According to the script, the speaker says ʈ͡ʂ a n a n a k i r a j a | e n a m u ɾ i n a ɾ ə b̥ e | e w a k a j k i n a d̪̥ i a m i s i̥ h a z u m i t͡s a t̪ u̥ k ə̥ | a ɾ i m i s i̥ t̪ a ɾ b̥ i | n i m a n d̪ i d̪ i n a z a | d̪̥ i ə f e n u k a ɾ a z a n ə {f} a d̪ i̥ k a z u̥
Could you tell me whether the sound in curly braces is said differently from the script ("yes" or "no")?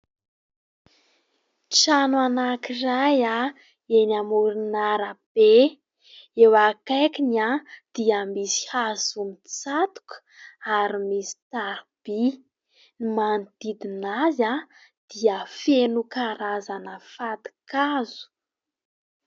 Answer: no